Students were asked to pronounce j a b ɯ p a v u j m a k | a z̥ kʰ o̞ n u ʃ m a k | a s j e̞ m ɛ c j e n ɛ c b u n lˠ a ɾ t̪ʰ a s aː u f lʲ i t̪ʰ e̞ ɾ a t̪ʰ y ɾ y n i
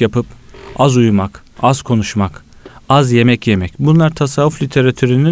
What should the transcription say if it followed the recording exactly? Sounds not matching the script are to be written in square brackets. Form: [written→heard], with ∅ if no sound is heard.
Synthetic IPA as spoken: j a [b→p] ɯ p a [v→z] u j m a k | a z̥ kʰ o̞ n u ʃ m a k | a [s→z] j e̞ m ɛ c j e [n→m] ɛ c b u n lˠ a ɾ t̪ʰ a s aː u f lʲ i t̪ʰ e̞ ɾ a t̪ʰ y ɾ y n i